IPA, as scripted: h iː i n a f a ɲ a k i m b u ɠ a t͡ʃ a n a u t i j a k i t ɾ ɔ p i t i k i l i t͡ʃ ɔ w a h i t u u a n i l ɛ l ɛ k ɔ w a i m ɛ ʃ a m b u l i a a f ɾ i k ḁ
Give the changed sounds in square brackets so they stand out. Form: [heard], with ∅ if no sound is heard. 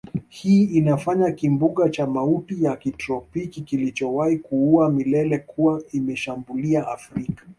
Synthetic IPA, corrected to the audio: h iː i n a f a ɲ a k i m b u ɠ a t͡ʃ a [m] a u t i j a k i t ɾ ɔ p i [k] i k i l i t͡ʃ ɔ w a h i [k] u u a [m] i l ɛ l ɛ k [u] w a i m ɛ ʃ a m b u l i a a f ɾ i k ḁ